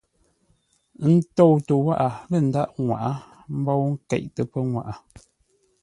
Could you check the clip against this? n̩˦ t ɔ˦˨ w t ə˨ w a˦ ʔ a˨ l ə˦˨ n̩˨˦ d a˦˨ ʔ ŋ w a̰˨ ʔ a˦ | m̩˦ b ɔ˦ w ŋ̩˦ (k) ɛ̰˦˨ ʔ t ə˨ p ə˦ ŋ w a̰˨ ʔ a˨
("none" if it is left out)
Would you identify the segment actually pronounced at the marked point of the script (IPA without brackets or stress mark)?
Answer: k